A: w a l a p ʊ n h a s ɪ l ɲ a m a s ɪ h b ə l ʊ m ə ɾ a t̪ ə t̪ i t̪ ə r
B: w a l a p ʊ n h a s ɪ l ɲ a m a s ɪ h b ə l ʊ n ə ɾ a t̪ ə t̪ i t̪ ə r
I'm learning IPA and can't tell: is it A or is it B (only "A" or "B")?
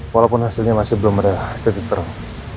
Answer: A